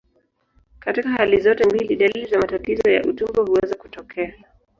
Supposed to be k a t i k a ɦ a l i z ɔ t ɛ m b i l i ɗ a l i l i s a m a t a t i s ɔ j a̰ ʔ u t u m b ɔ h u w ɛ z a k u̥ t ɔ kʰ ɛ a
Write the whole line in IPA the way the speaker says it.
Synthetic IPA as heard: k a t i k a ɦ a l i z ɔ t ɛ m b i l i ɗ a l i l i z a m a t a t i z ɔ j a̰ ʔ u t u m b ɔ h u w ɛ z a k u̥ t ɔ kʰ ɛ a